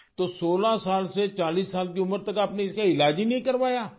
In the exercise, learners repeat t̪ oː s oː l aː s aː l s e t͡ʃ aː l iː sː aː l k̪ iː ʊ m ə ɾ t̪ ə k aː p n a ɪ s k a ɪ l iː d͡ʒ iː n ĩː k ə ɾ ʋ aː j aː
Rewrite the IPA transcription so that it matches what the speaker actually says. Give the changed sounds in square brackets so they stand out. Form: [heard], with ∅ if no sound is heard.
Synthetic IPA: t̪ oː s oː l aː s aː l s e t͡ʃ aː l iː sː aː l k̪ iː ʊ m ə ɾ t̪ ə k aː p n [e] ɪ s k a ɪ l [aː] d͡ʒ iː n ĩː k ə ɾ ʋ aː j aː